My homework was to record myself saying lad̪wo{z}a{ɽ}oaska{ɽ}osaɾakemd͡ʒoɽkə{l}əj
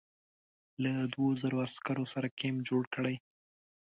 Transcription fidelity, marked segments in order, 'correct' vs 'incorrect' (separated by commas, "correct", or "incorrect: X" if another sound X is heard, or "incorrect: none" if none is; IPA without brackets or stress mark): correct, incorrect: ɾ, incorrect: ɾ, incorrect: ɽ